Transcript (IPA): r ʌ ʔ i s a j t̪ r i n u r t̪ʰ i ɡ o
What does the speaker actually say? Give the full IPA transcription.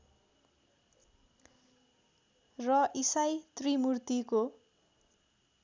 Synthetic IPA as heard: r ʌ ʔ i s a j t̪ r i m u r t̪ i k o